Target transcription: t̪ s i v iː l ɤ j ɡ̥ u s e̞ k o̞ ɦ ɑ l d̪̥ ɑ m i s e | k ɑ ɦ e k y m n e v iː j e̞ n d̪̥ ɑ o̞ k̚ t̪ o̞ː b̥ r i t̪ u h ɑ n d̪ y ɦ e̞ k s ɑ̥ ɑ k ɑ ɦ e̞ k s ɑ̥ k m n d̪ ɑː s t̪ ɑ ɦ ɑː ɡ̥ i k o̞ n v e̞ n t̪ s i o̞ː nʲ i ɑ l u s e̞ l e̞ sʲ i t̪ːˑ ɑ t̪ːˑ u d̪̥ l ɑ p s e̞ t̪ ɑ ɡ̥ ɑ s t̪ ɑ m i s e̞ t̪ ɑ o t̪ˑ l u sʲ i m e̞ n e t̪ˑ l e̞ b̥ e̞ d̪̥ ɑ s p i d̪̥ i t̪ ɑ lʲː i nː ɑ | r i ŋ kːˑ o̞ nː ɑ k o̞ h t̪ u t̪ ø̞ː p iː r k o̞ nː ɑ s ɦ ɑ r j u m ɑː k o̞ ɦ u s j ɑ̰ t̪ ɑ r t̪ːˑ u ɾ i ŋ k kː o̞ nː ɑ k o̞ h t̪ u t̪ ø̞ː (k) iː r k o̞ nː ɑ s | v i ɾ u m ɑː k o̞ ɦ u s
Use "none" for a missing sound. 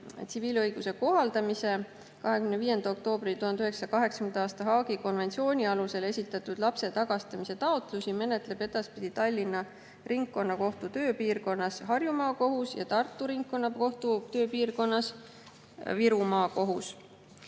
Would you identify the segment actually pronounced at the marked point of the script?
p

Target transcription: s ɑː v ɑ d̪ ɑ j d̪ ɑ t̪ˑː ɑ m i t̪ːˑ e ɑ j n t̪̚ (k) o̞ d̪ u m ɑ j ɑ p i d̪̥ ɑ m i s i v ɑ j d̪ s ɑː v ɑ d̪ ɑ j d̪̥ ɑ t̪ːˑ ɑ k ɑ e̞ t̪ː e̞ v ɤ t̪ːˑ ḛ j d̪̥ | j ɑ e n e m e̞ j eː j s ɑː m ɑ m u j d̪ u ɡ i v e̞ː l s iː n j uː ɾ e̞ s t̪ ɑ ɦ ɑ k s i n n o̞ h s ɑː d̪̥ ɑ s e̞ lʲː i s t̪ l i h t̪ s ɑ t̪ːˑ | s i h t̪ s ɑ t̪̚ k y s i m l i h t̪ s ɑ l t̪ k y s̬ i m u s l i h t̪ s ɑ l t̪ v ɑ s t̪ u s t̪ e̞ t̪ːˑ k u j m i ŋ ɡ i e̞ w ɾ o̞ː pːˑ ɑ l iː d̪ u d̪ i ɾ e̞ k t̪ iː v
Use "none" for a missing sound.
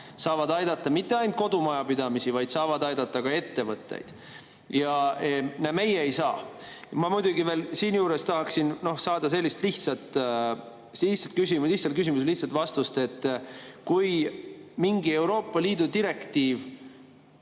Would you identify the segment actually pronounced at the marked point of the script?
k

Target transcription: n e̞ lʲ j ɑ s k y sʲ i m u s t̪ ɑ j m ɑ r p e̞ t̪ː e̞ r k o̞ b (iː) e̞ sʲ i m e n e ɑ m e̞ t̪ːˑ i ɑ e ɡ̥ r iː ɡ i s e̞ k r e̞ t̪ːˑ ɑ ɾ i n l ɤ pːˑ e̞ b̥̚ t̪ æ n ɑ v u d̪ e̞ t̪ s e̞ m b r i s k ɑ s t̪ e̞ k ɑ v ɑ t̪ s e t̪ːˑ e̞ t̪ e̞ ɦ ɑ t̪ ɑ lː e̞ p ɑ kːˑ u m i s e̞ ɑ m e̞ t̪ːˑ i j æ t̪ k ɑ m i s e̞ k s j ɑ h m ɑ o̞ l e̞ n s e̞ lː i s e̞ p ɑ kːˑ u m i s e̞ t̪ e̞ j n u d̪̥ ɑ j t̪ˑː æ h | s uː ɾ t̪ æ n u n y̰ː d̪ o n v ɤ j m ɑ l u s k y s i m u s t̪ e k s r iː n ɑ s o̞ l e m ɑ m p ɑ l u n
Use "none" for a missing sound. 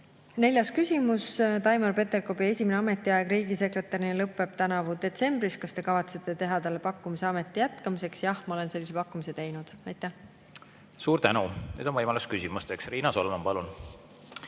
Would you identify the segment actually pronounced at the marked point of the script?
i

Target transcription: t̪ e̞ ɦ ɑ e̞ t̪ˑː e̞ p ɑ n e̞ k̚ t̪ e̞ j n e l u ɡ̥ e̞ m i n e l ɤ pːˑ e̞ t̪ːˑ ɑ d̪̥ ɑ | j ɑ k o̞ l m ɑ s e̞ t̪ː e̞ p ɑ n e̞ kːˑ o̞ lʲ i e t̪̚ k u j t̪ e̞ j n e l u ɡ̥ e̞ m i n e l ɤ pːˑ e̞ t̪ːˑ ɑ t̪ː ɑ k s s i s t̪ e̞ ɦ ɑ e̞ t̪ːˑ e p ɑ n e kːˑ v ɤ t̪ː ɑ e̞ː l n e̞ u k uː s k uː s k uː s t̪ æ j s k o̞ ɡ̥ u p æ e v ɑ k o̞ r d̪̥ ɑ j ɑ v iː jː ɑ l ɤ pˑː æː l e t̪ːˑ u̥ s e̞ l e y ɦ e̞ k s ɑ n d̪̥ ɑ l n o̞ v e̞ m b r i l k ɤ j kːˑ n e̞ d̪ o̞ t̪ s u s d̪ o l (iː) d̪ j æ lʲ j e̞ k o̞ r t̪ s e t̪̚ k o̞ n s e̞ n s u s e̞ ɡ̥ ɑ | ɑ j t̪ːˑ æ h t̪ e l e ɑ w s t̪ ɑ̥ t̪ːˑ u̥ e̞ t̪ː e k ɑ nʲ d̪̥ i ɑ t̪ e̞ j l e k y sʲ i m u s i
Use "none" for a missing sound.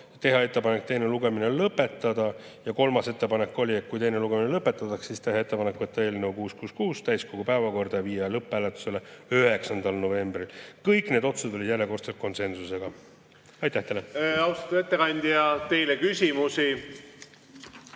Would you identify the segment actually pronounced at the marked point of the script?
i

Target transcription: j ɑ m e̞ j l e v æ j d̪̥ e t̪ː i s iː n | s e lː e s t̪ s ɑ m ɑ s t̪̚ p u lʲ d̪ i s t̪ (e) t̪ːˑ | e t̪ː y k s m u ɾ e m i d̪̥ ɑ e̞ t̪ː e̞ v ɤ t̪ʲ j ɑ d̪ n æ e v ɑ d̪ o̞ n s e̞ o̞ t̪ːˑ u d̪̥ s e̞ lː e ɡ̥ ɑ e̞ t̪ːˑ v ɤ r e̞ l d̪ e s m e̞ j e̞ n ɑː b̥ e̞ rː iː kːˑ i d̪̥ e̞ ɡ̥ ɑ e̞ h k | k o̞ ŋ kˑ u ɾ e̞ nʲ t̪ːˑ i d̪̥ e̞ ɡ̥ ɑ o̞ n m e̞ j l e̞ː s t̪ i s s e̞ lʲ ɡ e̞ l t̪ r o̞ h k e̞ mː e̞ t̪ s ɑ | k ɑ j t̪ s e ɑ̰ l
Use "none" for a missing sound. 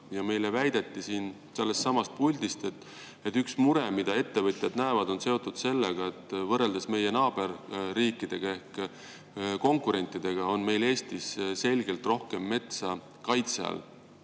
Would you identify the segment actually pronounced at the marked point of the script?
e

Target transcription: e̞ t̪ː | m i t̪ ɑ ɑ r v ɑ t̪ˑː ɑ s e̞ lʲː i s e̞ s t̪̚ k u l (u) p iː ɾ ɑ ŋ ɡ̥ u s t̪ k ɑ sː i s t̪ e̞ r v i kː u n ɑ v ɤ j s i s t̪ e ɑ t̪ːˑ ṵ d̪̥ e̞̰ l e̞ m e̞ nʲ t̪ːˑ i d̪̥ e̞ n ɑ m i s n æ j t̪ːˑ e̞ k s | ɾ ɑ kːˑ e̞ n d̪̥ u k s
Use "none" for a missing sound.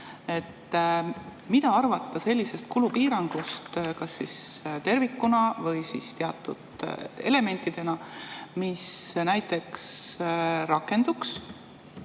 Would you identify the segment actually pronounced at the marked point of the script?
u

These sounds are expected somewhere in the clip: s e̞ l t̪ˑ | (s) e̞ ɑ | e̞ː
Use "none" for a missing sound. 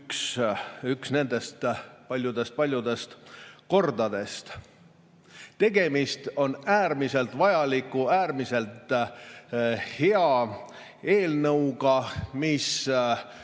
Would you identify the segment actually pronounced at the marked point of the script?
h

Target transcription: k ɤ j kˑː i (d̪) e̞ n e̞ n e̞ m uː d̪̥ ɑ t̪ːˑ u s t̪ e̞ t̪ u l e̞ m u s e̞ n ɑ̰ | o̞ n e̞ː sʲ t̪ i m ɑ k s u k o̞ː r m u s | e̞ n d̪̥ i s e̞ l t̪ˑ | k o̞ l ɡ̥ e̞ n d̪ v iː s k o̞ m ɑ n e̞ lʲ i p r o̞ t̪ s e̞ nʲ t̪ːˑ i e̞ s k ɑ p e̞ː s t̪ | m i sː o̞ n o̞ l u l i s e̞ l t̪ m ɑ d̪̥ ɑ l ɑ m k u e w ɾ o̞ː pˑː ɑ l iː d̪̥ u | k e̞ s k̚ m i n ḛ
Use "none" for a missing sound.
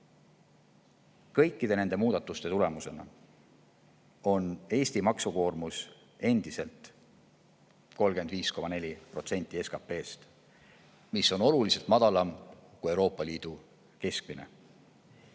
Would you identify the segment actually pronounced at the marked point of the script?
d̪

